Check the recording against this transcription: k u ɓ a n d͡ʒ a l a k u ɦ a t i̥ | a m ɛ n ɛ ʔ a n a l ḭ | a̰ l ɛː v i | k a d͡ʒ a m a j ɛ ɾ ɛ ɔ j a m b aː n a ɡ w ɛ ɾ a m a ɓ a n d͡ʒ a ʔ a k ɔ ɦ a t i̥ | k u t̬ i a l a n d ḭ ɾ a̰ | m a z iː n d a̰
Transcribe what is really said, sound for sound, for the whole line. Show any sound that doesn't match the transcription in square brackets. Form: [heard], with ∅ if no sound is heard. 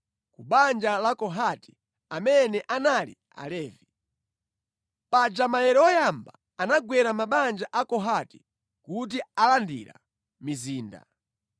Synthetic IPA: k u ɓ a n d͡ʒ a l a k [ɔ] ɦ a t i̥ | a m ɛ n ɛ ʔ a n a l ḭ | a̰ l ɛː v i | [p] a d͡ʒ a m a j ɛ ɾ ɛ ɔ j a m b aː n a ɡ w ɛ ɾ a m a ɓ a n d͡ʒ a ʔ a k ɔ ɦ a t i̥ | k u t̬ i a l a n d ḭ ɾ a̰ | m [i] z iː n d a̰